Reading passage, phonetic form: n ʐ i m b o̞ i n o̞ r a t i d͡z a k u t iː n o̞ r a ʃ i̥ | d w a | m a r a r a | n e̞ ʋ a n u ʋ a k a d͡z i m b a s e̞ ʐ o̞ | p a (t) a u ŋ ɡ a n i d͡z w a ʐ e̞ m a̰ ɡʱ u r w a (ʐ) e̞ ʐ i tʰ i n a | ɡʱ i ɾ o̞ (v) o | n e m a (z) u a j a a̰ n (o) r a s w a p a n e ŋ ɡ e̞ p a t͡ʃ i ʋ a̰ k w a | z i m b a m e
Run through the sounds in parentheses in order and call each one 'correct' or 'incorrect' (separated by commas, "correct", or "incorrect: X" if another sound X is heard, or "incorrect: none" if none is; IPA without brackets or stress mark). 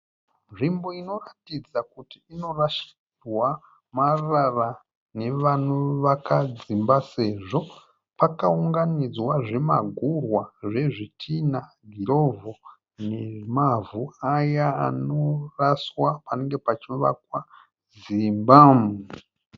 incorrect: k, correct, correct, incorrect: v, correct